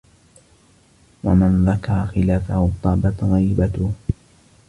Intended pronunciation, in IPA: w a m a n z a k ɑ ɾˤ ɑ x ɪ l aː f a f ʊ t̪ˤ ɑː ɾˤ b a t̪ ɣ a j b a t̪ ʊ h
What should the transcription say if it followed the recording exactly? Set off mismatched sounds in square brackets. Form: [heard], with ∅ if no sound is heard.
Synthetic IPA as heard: w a m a n [ð] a k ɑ ɾˤ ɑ x ɪ l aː f a [h] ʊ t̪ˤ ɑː [∅] b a t̪ ɣ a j b a t̪ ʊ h